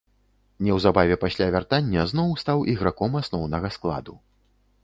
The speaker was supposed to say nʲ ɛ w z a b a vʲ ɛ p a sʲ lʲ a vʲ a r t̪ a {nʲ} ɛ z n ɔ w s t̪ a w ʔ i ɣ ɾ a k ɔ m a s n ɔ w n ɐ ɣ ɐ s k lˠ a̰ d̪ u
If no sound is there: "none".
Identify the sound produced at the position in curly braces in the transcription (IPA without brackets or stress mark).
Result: nʲː